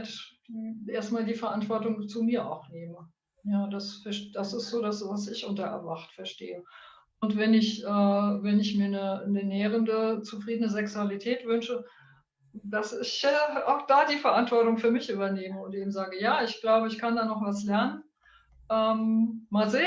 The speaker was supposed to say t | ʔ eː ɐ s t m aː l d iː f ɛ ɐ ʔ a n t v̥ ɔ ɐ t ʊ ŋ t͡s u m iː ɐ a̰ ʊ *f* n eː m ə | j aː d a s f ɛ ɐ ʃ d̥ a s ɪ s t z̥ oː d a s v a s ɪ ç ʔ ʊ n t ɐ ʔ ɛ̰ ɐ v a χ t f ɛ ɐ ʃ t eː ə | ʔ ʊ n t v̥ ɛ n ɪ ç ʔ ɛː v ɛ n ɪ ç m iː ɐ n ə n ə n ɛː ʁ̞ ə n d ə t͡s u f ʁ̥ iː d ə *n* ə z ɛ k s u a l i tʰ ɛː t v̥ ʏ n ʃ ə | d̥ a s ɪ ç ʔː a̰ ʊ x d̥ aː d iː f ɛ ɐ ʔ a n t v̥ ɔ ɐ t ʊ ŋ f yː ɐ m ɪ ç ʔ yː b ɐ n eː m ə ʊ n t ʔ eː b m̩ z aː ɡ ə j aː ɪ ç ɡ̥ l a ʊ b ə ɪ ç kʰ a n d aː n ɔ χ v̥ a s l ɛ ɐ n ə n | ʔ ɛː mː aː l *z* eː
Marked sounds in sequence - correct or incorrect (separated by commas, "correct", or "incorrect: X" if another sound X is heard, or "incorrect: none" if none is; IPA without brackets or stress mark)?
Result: incorrect: x, correct, correct